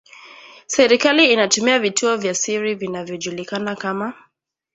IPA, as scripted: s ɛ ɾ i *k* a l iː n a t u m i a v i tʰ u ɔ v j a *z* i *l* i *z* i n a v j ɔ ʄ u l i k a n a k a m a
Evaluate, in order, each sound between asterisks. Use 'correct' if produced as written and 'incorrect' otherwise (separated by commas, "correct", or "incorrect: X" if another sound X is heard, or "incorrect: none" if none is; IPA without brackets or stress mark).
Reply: correct, incorrect: s, incorrect: ɾ, incorrect: v